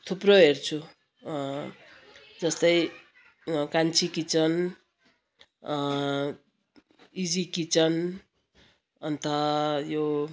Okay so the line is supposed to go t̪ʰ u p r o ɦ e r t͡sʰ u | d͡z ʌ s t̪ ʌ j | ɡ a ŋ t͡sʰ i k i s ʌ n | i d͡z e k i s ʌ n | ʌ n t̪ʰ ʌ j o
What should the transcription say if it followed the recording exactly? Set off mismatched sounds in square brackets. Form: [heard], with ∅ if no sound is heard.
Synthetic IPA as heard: t̪ʰ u p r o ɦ e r t͡sʰ u | d͡z ʌ s t̪ ʌ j | [k] a [n] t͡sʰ i k i [t͡s] ʌ n | i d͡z [i] k i [t͡s] ʌ n | ʌ n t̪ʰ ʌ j o